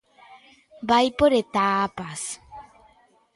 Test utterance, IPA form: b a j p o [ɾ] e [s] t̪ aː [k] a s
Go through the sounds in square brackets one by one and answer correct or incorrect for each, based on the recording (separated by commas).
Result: correct, incorrect, incorrect